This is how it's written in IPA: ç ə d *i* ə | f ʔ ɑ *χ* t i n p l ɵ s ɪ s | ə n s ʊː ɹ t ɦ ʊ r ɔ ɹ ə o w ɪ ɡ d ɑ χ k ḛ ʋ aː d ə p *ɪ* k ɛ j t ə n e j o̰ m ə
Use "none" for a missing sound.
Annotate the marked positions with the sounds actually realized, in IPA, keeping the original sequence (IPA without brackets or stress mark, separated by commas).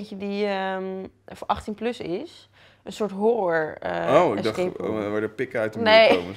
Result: i, χ, ɪ